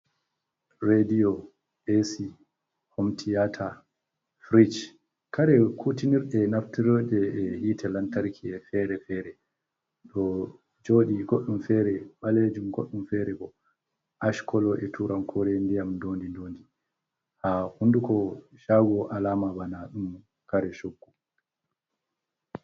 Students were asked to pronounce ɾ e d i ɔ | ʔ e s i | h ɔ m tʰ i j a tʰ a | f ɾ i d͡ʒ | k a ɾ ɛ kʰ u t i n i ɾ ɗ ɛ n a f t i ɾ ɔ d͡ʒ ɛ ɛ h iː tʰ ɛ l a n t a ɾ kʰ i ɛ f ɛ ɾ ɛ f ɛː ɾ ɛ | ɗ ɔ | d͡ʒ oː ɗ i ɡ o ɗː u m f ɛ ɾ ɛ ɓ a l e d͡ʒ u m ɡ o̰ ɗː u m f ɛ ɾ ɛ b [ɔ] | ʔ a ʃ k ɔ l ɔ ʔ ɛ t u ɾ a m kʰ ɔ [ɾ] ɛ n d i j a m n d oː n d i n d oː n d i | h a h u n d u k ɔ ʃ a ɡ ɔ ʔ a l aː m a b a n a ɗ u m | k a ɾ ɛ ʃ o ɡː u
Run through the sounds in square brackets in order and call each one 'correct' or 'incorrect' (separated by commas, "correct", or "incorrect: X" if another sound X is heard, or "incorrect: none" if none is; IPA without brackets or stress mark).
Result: correct, correct